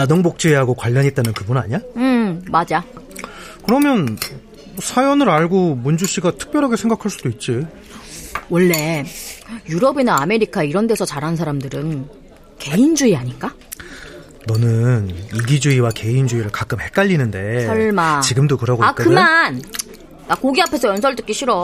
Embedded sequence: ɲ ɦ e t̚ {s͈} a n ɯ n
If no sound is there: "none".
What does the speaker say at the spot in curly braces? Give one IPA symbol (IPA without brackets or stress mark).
t͈